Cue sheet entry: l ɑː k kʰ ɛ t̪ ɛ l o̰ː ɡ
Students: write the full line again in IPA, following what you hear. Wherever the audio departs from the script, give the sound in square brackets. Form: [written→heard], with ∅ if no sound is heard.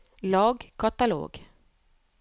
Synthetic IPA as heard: l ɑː [k→ɡ] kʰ [ɛ→a] t̪ [ɛ→a] l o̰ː ɡ